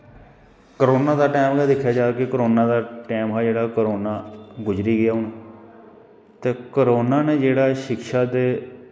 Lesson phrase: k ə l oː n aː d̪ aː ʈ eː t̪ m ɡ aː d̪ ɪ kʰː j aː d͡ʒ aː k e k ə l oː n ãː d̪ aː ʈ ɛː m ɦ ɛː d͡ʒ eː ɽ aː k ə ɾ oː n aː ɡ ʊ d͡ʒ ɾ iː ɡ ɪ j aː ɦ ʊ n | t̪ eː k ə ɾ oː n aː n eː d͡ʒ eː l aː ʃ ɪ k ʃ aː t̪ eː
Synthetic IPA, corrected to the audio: k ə ɾ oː n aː d̪ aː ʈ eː m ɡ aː d̪ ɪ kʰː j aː d͡ʒ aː k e k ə ɾ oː n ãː d̪ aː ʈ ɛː m ɦ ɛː d͡ʒ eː ɽ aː k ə ɾ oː n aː ɡ ʊ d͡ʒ ɾ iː ɡ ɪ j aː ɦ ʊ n | t̪ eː k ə ɾ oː n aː n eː d͡ʒ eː ɽ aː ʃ ɪ k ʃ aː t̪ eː